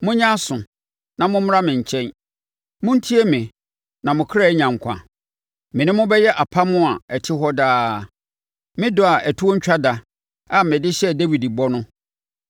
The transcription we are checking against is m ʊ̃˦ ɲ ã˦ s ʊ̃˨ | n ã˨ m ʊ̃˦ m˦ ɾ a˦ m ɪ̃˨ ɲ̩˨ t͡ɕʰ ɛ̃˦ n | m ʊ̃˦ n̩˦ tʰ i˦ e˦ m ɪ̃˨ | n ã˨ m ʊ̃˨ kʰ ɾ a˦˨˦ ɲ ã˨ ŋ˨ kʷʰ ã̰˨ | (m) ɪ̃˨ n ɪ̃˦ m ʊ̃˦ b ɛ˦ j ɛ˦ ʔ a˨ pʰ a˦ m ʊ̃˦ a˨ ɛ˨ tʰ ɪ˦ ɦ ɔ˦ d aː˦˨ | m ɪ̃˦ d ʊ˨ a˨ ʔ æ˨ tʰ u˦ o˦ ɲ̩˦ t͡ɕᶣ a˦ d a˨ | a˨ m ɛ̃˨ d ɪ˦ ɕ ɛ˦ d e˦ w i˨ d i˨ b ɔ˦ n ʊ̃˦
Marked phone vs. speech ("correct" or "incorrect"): correct